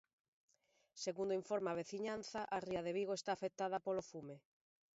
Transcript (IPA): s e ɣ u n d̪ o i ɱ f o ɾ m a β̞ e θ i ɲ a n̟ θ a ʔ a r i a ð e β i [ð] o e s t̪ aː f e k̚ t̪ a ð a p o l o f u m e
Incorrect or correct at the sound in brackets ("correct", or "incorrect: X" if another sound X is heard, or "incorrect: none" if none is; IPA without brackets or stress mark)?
incorrect: ɣ